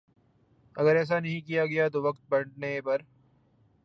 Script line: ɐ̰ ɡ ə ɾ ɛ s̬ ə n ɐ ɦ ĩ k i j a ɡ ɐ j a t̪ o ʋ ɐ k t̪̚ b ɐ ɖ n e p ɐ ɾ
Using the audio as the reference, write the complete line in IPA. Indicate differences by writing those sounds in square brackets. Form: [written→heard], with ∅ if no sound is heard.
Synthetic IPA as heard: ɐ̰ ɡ ə ɾ [ɛ→ɛː] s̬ [ə→a] n ɐ ɦ ĩ k i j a ɡ ɐ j a t̪ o ʋ ɐ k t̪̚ b ɐ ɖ n e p ɐ ɾ